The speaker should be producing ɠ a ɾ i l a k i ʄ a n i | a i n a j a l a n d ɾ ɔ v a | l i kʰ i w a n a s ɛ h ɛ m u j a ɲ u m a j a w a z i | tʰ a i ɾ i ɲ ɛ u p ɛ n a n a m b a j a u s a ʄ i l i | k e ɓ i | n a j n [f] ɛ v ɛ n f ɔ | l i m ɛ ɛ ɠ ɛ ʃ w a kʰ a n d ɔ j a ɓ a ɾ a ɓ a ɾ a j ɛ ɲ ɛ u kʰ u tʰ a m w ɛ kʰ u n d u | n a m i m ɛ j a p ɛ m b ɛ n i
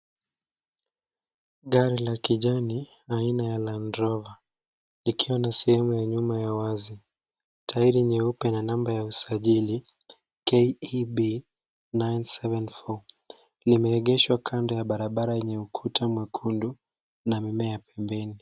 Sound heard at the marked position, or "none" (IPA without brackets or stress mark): s